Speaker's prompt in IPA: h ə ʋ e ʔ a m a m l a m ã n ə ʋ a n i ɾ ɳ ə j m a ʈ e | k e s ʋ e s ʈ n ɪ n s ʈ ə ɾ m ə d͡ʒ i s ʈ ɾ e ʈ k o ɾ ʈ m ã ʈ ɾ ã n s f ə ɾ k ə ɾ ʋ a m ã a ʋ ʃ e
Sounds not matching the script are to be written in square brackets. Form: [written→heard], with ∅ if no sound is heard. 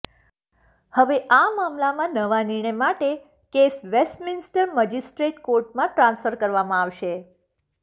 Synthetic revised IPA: h ə ʋ e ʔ a m a m l a m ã n ə ʋ a n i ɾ ɳ ə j m a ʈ e | k e s ʋ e s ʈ [n→m] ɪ n s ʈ ə ɾ m ə d͡ʒ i s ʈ ɾ e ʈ k o ɾ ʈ m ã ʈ ɾ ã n s f ə ɾ k ə ɾ ʋ a m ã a ʋ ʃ e